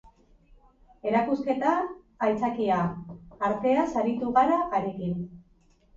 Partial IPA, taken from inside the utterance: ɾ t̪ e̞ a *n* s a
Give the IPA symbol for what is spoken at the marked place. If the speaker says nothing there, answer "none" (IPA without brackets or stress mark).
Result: none